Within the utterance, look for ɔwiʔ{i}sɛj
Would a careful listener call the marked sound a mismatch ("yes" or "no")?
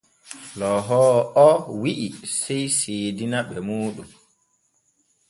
no